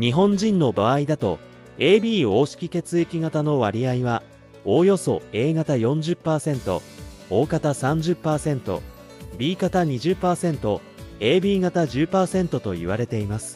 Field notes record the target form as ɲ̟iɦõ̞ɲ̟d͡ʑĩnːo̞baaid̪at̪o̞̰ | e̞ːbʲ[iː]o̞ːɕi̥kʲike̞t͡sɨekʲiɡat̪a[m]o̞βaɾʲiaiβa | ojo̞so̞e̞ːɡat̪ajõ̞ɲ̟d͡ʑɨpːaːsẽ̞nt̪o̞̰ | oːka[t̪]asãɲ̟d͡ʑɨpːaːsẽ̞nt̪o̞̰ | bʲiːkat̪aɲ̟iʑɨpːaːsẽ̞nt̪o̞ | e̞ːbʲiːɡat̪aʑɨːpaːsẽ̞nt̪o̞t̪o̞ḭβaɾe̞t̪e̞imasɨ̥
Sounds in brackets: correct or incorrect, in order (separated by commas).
correct, incorrect, correct